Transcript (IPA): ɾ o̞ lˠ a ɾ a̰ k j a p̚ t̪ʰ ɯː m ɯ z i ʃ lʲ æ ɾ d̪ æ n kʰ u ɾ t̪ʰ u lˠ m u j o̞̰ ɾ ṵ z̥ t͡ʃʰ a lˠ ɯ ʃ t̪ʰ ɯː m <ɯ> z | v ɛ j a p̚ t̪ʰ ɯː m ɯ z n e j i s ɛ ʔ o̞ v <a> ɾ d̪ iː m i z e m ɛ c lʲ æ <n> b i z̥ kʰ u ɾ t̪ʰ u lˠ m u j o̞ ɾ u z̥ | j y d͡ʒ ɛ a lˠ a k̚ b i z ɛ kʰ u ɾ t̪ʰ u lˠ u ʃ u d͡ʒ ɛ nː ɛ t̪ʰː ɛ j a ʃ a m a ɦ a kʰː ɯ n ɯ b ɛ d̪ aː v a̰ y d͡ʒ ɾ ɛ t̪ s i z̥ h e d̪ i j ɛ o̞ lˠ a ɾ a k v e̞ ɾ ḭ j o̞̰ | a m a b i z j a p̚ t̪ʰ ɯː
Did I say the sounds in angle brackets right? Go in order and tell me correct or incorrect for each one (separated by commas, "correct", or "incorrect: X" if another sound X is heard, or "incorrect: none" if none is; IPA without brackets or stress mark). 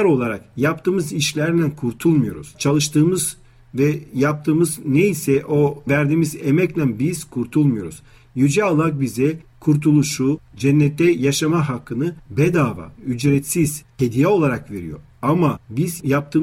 correct, incorrect: æ, correct